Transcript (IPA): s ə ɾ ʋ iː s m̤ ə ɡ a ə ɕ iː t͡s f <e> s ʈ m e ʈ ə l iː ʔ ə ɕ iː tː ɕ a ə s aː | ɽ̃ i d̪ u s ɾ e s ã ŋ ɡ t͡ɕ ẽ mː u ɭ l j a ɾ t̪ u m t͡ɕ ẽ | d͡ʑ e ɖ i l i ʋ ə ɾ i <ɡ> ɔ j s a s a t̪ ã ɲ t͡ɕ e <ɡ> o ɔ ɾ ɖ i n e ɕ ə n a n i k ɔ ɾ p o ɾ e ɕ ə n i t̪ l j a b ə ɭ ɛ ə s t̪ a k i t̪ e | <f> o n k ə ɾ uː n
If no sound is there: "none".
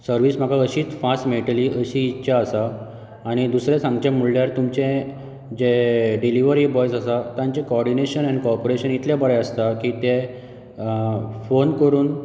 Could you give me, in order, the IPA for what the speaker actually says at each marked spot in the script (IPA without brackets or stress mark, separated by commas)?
a, b, k, f